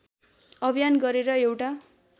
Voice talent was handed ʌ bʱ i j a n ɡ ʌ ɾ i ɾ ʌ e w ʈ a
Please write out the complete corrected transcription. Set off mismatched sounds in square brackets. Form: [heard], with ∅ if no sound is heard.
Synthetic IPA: ʌ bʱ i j a n ɡ ʌ ɾ [e] ɾ ʌ e w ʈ a

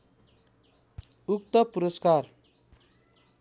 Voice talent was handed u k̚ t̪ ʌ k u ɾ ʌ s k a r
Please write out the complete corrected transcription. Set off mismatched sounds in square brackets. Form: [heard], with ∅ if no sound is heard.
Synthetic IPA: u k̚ t̪ ʌ [p] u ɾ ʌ s k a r

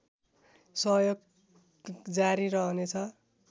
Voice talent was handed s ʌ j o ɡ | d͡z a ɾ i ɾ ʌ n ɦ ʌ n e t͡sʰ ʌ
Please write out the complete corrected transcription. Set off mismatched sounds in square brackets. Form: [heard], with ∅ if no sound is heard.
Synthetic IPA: s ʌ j o ɡ | d͡z a ɾ i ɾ ʌ [∅] ɦ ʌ n e t͡sʰ ʌ

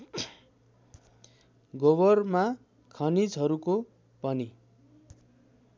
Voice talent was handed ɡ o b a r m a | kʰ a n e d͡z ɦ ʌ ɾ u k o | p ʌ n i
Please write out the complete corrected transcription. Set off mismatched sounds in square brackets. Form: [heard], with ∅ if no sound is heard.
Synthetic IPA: ɡ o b [ʌ] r m a | kʰ [ʌ] n [i] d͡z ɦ ʌ ɾ u k o | p ʌ n i

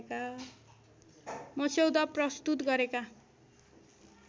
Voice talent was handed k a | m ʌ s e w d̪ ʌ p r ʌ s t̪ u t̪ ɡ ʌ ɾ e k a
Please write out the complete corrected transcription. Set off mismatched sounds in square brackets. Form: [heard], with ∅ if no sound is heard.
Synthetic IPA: k a | m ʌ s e w d̪ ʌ p r ʌ s t̪ u t̪ ɡ ʌ ɾ e k a

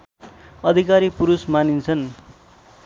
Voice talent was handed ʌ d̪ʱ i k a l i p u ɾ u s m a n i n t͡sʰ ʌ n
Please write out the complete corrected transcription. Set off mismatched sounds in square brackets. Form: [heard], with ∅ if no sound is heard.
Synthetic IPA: ʌ d̪ʱ i k a [ɾ] i p u ɾ u s m a n i n t͡sʰ ʌ n

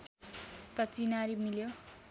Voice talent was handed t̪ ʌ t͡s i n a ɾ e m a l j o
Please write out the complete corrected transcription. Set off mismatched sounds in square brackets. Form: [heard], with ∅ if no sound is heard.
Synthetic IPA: t̪ ʌ t͡s i n a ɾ [i] m [i] l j o

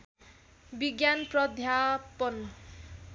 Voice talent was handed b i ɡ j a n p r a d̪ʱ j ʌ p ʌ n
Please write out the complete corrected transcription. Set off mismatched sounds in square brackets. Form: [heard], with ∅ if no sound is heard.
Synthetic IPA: b i ɡ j a n p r [ʌ] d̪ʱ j [a] p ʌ n

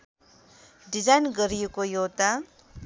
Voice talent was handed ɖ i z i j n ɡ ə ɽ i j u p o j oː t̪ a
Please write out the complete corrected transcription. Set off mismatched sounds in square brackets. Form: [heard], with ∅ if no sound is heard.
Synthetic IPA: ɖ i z [a] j n ɡ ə [ɾ] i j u [k] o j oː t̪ a

